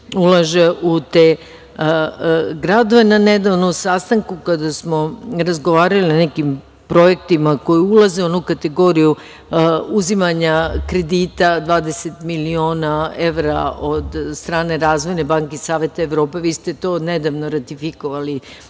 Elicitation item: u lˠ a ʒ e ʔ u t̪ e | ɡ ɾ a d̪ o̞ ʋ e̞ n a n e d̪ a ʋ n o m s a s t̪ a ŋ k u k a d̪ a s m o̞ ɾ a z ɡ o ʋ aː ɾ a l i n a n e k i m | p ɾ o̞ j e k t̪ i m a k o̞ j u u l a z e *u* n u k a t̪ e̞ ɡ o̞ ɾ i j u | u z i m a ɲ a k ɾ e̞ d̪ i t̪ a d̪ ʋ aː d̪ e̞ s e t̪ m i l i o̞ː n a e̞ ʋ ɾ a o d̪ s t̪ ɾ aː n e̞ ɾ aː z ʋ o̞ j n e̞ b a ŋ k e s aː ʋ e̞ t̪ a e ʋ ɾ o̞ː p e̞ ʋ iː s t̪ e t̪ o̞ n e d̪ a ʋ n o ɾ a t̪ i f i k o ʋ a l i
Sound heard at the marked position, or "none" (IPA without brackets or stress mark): o